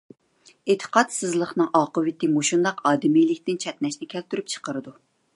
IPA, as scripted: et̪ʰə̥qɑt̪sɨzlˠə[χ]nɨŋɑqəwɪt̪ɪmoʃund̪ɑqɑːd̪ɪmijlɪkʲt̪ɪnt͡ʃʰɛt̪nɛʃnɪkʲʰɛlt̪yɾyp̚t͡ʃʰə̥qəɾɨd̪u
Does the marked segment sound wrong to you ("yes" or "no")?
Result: no